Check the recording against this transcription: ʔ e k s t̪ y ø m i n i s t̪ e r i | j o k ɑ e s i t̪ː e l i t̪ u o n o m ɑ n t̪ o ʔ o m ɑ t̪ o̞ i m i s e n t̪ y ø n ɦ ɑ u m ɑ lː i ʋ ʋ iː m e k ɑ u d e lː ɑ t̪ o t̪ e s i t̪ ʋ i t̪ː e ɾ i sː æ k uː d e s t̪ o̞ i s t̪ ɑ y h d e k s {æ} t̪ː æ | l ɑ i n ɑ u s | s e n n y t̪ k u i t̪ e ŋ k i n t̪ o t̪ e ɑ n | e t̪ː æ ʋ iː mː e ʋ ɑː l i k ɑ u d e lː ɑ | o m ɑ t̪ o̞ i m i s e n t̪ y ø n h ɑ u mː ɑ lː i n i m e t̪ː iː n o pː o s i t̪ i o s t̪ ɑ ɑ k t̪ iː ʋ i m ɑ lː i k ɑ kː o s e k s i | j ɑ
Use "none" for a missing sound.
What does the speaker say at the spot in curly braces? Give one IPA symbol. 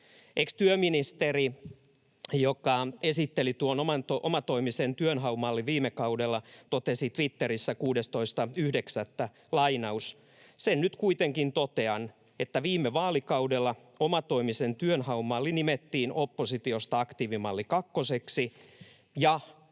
æ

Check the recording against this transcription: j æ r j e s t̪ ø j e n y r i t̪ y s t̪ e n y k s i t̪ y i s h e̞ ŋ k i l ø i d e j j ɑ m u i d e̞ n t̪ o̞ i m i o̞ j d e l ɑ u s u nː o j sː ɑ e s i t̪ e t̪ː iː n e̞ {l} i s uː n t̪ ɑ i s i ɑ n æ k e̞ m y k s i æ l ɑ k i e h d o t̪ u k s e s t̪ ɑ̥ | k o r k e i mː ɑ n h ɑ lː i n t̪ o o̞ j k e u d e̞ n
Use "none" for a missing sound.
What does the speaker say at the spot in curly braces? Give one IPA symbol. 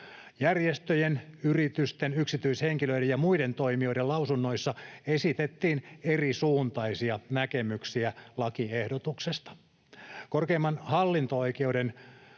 r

